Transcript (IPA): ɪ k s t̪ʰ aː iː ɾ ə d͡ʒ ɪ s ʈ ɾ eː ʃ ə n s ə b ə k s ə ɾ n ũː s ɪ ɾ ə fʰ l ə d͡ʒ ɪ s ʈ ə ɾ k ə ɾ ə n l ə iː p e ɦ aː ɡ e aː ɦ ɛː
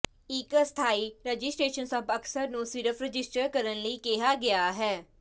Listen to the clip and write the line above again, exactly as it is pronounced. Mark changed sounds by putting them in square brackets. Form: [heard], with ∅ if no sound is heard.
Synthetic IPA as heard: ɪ k s t̪ʰ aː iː ɾ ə d͡ʒ ɪ s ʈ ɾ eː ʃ ə n s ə b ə k s ə ɾ n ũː s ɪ ɾ ə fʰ [ɾ] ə d͡ʒ ɪ s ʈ ə ɾ k ə ɾ ə n l ə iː [k] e ɦ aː ɡ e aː ɦ ɛː